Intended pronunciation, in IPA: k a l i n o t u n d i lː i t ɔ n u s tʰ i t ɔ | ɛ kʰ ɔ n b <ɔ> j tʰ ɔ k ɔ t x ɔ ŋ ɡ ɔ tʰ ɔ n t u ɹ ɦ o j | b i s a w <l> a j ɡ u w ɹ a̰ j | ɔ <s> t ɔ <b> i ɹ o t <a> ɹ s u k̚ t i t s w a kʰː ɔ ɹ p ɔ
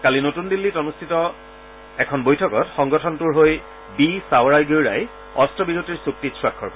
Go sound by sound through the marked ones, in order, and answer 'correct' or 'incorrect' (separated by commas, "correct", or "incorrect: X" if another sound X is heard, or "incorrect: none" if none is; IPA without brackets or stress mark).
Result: incorrect: o, incorrect: ɹ, correct, correct, incorrect: i